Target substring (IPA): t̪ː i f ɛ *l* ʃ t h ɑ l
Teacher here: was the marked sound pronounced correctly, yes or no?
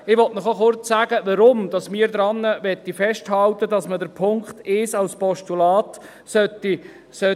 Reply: no